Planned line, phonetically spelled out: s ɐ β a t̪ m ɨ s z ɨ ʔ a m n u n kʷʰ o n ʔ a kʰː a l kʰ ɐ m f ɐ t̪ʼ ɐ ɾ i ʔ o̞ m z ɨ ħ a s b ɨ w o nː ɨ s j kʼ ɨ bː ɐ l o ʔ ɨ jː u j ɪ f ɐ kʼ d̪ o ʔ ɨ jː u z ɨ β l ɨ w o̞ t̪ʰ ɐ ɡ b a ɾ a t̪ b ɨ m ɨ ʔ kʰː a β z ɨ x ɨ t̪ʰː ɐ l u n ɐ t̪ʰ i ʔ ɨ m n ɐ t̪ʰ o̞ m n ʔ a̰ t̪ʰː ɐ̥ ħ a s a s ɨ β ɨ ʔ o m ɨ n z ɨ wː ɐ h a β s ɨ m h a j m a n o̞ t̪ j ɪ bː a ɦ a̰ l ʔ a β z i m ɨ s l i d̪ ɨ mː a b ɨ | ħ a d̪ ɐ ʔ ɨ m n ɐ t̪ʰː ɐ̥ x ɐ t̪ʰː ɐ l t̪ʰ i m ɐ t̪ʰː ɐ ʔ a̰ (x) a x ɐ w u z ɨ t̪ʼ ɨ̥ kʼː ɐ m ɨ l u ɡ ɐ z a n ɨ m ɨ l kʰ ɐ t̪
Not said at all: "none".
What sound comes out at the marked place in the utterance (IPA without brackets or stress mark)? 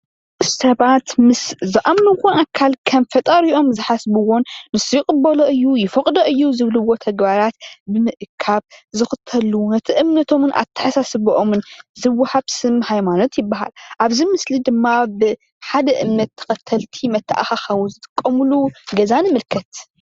x